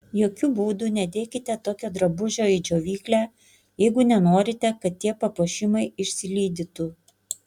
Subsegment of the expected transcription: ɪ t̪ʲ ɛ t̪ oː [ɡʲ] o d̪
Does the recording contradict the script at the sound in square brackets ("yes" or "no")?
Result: yes